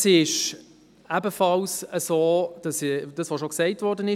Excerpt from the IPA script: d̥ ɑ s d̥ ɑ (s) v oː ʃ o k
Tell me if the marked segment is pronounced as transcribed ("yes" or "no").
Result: yes